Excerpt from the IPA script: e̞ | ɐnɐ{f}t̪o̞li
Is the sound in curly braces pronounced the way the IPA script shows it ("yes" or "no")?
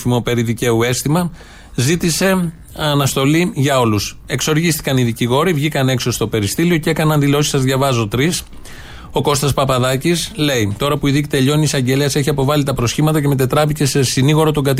no